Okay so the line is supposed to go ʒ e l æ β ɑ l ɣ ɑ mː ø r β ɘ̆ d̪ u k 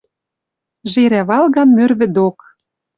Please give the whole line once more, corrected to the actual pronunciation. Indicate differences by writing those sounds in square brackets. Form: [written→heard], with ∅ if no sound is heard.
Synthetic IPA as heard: ʒ e [l→ɾ] æ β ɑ l ɣ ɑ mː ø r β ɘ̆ d̪ [u→o] k